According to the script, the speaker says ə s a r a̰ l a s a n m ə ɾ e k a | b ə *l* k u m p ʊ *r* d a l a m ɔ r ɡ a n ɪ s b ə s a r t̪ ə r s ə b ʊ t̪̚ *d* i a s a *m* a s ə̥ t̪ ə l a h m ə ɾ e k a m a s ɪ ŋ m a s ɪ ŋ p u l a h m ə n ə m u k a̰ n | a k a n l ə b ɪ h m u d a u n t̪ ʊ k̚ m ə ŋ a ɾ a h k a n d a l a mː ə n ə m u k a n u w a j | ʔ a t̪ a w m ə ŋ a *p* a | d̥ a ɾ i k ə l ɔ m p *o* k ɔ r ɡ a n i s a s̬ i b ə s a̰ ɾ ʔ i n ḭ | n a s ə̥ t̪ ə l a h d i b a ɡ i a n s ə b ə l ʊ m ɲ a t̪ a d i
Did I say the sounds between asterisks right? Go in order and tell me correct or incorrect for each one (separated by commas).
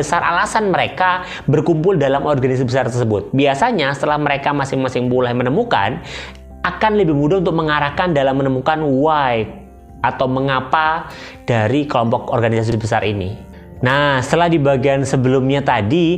incorrect, incorrect, incorrect, incorrect, correct, incorrect